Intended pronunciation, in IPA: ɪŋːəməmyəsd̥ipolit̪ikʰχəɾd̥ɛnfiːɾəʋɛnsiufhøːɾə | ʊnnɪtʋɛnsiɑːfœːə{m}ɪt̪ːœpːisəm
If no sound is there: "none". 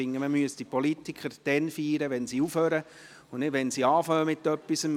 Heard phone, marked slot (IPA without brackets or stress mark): m